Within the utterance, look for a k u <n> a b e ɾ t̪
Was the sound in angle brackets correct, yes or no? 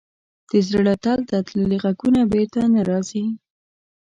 yes